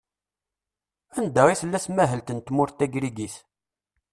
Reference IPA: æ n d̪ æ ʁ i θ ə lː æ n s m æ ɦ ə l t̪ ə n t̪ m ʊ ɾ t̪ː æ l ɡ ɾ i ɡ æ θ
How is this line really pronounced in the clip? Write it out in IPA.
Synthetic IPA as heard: æ n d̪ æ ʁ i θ ə lː æ s m æ ɦ ə l t̪ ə n t̪ m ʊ ɾ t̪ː æ ɡ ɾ i ɡ i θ